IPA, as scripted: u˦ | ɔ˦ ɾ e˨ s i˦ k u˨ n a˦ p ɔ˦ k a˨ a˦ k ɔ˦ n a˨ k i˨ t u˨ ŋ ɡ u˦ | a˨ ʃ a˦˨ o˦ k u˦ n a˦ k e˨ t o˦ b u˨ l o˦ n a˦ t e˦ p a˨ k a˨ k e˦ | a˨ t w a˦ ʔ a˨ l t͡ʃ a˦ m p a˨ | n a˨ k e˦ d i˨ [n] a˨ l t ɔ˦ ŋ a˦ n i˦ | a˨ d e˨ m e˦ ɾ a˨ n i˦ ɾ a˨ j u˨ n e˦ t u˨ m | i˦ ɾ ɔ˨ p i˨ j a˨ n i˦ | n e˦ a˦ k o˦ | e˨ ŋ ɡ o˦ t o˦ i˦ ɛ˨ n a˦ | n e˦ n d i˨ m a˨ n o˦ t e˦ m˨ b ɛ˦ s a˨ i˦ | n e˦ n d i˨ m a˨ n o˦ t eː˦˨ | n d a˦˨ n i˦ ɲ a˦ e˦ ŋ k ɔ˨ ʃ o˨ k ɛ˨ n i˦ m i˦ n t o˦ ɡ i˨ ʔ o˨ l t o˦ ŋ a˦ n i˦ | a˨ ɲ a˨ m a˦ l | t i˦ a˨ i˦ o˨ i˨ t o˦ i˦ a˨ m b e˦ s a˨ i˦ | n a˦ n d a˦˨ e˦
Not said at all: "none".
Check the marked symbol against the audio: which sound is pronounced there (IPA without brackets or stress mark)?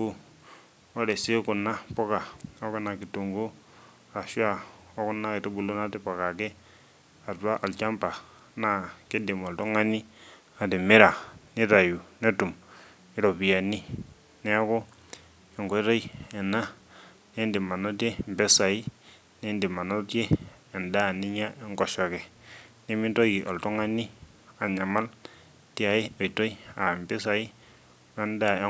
m